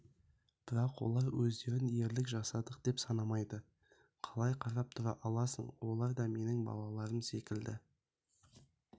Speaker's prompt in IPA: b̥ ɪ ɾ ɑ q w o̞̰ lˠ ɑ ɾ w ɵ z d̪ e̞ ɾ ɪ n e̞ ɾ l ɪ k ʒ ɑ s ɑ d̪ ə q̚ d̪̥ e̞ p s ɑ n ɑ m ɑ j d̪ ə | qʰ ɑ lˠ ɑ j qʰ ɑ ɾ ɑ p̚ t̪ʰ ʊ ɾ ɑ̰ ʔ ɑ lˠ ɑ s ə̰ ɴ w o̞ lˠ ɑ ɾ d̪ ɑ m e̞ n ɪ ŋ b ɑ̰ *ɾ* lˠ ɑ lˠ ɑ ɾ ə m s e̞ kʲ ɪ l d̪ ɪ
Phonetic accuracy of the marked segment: incorrect: none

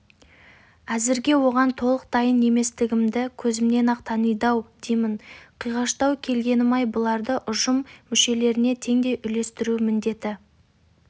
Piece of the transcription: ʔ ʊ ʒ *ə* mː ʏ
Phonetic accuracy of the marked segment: correct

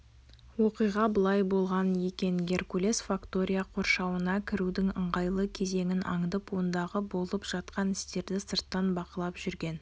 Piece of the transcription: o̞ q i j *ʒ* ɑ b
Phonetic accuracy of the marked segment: incorrect: ʁ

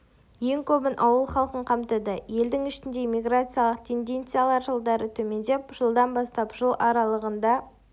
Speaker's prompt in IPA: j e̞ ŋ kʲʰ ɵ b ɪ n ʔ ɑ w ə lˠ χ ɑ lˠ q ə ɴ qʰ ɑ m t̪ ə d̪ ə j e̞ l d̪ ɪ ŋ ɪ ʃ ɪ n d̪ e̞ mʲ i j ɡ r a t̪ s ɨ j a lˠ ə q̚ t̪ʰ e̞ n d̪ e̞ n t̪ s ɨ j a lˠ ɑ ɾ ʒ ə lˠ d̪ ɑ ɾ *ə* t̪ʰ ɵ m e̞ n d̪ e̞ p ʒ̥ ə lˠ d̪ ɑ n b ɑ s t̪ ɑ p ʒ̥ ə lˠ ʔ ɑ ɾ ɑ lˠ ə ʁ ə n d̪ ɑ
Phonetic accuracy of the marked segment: correct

